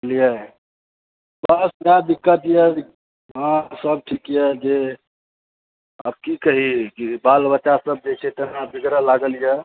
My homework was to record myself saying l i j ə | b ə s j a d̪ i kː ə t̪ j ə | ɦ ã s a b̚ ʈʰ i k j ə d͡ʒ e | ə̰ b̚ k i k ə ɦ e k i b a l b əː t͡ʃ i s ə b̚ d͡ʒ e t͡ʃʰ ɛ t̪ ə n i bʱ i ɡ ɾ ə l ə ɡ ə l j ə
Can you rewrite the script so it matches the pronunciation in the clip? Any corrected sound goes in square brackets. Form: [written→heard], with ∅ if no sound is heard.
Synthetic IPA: l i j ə | b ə s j a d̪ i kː ə t̪ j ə | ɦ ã s [a→ə] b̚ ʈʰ i k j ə d͡ʒ e | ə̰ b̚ k i k ə ɦ [e→i] k i b a l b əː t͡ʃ [i→a] s ə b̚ d͡ʒ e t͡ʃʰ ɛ t̪ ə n [i→a] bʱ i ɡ ɾ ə l [ə→a] ɡ ə l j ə